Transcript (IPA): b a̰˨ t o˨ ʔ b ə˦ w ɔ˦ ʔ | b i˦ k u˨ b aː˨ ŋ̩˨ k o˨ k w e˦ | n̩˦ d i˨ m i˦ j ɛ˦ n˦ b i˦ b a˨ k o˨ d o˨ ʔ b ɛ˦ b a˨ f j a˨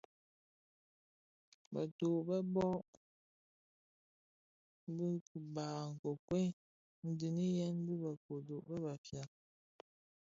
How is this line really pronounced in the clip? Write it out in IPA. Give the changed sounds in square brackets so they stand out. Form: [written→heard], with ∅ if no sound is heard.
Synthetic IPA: b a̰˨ t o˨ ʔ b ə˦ [w→b] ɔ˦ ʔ | b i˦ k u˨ b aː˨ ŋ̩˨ k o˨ k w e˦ | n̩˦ d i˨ [m→n] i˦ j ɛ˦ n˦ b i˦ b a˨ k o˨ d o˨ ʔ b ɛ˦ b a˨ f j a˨